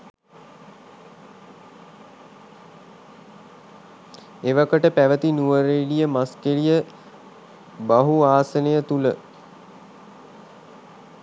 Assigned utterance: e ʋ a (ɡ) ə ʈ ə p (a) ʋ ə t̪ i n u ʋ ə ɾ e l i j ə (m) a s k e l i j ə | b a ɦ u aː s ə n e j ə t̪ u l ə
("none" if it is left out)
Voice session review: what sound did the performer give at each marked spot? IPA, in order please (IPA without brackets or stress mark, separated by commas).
k, æ, m